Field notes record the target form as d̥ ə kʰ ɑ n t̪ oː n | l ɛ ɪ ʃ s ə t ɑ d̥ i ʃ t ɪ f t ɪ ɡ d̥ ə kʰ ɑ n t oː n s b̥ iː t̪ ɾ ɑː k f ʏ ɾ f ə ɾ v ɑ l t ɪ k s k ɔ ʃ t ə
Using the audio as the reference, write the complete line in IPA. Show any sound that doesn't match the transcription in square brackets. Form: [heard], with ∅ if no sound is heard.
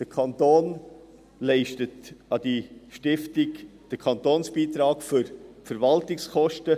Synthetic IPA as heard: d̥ ə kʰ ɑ n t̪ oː n | l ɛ ɪ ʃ [t] ə t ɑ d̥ i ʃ t ɪ f t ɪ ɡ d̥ ə kʰ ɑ n t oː n s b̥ iː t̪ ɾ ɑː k f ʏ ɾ f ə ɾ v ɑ l t ɪ k s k ɔ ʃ t ə